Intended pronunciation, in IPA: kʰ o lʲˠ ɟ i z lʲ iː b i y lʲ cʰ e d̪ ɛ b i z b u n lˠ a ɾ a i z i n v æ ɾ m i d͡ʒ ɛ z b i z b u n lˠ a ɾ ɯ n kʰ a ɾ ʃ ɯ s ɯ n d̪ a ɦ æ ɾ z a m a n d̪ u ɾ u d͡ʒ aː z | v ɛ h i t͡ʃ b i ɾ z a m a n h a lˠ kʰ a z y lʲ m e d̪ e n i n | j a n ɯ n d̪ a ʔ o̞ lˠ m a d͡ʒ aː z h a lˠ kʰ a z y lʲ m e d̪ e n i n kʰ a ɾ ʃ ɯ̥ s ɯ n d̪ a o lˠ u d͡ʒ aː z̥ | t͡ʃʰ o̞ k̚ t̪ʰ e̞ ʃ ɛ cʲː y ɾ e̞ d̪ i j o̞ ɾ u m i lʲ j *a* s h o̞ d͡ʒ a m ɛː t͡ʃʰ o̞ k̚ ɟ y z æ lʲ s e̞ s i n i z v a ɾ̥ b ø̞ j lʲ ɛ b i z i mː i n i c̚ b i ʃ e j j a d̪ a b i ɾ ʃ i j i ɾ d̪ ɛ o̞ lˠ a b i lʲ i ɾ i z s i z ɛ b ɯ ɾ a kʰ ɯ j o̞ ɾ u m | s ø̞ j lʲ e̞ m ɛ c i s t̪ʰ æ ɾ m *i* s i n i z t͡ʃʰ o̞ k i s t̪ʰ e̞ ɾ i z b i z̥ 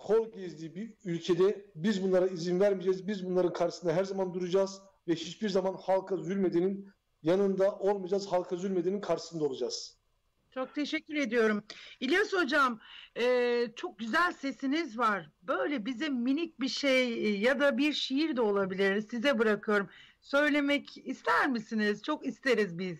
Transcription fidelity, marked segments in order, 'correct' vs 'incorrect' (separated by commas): correct, correct